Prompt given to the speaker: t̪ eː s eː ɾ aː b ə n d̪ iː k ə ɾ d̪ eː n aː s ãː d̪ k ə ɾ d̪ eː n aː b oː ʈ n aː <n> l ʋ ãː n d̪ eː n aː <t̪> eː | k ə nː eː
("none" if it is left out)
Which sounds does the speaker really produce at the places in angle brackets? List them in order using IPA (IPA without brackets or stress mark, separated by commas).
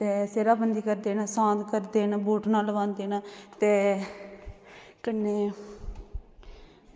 none, t̪